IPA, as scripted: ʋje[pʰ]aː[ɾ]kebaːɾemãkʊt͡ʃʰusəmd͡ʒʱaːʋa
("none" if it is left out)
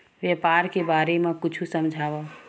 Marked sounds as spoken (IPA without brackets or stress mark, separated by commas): p, ɾ